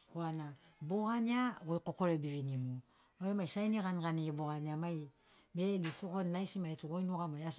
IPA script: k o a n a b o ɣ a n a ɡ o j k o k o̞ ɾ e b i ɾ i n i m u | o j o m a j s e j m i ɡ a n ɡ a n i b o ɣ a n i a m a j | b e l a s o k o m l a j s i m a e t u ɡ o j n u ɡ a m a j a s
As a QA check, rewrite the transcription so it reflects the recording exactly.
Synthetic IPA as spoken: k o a n a b o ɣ a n a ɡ o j k o k o̞ ɾ e b i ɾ i n i m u | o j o m a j s a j n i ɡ a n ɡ a n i b o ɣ a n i a m a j | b e l i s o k o n l a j s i m a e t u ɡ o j n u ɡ a m a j a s